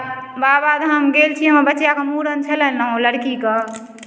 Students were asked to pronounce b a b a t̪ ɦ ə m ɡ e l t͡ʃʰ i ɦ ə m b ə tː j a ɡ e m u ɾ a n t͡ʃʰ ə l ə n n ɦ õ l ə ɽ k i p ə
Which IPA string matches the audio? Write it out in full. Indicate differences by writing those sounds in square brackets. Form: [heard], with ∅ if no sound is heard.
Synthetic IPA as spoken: b a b a [d̪] ɦ ə m ɡ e l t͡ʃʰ i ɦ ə m b ə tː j a [k] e m u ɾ [ə] n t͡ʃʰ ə l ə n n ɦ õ l ə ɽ k i [k] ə